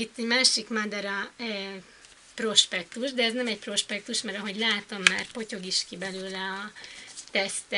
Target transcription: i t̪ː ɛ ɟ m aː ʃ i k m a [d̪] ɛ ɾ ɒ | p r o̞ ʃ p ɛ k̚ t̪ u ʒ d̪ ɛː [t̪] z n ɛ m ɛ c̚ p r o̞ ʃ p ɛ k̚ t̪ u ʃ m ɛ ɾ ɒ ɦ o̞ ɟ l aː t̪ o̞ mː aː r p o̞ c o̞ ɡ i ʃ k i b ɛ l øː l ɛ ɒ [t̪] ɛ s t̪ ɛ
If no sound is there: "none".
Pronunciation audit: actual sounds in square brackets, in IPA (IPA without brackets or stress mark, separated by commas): d̪, none, t̪